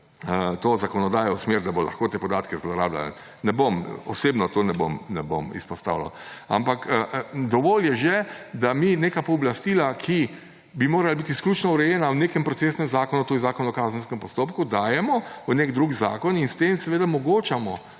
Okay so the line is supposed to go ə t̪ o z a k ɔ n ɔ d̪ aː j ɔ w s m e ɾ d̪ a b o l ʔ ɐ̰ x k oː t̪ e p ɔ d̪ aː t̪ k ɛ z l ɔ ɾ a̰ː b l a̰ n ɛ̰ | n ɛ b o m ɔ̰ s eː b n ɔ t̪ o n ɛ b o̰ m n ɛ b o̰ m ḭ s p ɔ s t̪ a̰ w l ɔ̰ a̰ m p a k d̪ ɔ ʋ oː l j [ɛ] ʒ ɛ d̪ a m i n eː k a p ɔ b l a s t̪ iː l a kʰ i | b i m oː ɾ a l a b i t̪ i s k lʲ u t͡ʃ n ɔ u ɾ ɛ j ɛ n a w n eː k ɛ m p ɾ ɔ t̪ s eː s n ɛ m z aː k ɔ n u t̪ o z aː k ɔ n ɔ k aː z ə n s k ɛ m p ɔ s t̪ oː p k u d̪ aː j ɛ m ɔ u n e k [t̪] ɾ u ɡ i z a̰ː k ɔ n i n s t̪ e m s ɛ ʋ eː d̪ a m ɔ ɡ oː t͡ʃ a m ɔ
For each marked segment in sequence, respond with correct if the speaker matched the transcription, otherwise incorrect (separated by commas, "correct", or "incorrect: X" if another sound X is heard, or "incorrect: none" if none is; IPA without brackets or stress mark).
correct, incorrect: d̪